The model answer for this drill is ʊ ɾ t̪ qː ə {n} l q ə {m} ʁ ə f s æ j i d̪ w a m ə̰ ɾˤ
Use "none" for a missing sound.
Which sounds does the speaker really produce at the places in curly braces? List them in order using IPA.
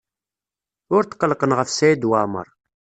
none, n

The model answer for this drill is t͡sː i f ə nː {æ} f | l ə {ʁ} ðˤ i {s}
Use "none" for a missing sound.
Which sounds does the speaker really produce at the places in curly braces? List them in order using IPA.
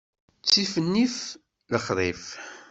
i, χ, f

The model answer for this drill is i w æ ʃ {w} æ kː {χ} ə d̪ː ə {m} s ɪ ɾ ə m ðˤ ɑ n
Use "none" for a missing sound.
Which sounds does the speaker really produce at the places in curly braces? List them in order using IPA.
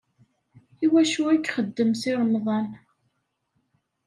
u, χ, m

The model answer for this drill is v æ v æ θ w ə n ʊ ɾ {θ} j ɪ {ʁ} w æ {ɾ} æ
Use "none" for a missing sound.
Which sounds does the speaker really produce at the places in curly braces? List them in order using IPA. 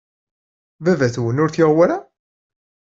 θ, ʁ, ɾ

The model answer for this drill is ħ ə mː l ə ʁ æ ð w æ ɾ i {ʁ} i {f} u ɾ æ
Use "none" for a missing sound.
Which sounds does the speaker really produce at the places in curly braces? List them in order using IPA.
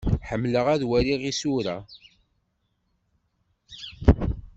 ʁ, s

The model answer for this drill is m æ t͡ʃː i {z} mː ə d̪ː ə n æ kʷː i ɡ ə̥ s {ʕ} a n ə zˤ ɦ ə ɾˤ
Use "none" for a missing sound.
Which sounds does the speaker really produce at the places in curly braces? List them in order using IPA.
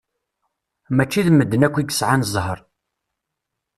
ð, ʕ

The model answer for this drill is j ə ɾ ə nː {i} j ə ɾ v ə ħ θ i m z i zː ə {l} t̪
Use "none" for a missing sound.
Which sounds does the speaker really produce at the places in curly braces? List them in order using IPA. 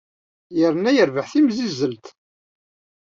æ, l

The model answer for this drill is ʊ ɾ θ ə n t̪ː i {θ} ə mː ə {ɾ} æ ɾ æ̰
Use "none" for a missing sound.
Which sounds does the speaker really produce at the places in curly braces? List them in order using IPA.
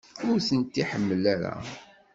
ħ, l

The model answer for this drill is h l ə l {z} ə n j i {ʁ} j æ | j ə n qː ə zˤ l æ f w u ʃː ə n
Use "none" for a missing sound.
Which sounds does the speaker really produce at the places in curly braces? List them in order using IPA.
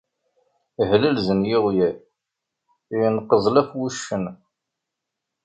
z, ʁ

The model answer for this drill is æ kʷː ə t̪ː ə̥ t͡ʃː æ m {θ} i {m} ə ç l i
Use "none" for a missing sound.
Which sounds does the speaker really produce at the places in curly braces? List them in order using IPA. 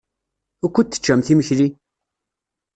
θ, m

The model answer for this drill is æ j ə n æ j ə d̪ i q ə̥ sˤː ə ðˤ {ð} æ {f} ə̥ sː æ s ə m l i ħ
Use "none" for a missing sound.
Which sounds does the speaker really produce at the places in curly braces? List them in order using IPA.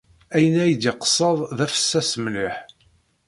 ð, f

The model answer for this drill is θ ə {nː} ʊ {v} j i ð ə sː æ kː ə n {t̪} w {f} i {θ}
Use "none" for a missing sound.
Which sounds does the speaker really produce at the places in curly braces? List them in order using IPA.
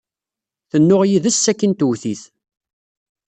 nː, ʁ, t̪, θ, θ

